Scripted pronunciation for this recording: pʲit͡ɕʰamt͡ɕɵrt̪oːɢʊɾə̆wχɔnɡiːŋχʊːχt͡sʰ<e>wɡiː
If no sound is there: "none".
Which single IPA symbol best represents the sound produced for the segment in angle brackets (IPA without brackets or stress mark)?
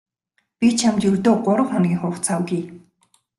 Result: a